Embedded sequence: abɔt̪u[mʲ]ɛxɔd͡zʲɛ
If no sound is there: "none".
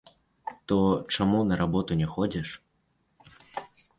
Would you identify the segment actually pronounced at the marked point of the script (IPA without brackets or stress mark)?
nʲ